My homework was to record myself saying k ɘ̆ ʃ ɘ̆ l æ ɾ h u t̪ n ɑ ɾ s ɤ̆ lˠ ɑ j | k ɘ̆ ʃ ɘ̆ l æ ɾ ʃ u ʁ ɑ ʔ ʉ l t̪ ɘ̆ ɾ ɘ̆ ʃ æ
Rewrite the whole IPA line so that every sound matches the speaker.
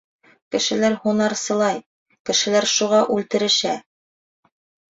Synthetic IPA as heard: k ɘ̆ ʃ ɘ̆ l æ ɾ h u n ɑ ɾ s ɤ̆ lˠ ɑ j | k ɘ̆ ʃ ɘ̆ l æ ɾ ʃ u ʁ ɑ ʔ ʉ l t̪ ɘ̆ ɾ ɘ̆ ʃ æ